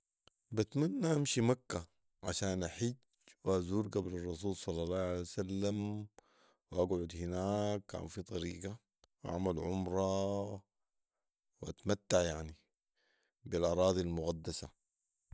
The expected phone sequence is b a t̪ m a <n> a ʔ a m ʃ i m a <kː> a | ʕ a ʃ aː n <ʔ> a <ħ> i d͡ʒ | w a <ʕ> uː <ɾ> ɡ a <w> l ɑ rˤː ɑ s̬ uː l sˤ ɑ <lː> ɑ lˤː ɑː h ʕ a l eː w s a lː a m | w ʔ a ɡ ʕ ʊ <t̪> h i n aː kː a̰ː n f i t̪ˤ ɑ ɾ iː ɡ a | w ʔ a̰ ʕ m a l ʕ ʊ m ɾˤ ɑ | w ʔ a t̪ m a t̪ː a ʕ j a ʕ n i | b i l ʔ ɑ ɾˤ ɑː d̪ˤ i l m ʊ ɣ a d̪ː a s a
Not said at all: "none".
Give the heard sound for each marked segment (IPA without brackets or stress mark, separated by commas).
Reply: nː, kː, ʔ, ħ, z, ɾ, b, lː, d̪